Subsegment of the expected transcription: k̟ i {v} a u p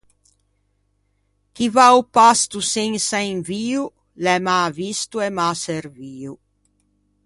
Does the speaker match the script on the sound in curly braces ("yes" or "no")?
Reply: yes